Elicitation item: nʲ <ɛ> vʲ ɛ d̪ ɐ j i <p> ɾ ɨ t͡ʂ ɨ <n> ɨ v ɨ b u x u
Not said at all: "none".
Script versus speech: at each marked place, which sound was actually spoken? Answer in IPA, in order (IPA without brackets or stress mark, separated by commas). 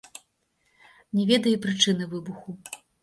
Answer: ɛ, p, n